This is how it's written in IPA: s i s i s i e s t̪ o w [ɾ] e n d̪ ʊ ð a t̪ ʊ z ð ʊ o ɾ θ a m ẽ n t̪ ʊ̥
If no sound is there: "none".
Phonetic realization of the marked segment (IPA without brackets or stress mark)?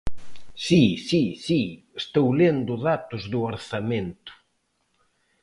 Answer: l